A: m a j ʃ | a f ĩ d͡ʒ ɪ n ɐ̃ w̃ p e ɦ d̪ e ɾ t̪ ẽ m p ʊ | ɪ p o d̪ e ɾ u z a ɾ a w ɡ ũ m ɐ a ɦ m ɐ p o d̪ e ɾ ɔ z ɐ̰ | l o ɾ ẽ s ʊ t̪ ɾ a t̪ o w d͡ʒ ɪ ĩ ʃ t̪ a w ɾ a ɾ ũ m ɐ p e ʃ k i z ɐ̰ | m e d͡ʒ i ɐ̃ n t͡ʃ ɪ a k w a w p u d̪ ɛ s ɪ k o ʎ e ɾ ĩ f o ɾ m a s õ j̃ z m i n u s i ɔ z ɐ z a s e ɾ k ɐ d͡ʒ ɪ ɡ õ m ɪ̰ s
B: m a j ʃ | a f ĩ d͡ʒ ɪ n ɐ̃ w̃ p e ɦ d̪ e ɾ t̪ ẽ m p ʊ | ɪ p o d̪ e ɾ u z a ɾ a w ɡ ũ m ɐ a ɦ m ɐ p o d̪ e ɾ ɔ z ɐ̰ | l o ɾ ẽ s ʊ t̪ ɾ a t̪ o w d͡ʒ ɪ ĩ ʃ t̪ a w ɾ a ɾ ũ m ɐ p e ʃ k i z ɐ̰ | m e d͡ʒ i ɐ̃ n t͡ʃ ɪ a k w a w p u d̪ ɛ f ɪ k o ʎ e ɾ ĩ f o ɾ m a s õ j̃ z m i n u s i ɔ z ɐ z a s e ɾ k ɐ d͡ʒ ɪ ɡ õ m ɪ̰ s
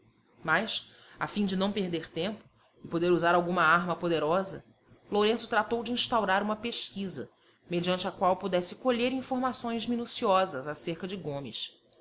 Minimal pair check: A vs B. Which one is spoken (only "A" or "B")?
A